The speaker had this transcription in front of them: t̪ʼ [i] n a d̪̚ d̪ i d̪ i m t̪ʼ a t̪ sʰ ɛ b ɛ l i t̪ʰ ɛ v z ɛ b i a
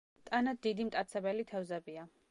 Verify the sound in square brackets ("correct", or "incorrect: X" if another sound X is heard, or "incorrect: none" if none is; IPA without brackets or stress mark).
incorrect: a